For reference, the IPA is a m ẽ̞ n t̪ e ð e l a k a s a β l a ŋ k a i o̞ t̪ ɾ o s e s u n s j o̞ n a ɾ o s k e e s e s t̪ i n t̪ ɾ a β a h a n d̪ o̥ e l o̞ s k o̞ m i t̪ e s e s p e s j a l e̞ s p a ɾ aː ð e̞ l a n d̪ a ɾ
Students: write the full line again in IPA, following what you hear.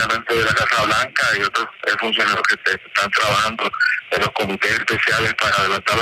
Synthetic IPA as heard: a m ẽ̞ n t̪ e ð e l a k a s a β l a ŋ k a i o̞ t̪ ɾ o s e f u n s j o̞ n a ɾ o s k e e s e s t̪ a n t̪ ɾ a β a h a n d̪ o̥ e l o̞ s k o̞ m i t̪ e s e s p e s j a l e̞ s p a ɾ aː ð e̞ l a n t̪ a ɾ